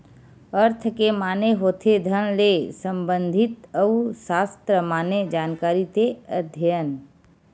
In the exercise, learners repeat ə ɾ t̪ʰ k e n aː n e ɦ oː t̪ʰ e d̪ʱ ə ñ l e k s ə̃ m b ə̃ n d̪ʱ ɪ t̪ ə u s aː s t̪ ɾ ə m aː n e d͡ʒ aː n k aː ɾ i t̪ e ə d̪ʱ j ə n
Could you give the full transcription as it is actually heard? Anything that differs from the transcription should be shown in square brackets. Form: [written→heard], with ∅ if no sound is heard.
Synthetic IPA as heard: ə ɾ t̪ʰ k e [n→m] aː n e ɦ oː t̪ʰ e d̪ʱ ə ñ l e [k→∅] s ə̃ m b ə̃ n d̪ʱ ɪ t̪ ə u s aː s t̪ ɾ ə m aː n e d͡ʒ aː n k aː ɾ i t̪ e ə d̪ʱ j ə n